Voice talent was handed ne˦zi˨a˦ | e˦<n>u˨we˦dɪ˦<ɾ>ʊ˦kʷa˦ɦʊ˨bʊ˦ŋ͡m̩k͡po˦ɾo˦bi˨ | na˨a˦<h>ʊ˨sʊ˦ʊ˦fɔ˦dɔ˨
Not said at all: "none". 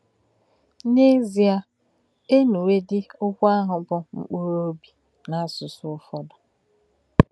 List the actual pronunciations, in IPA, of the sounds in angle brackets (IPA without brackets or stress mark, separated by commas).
n, none, s